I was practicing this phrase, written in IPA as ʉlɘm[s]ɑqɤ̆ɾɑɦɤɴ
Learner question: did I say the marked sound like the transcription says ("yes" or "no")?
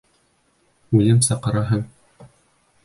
yes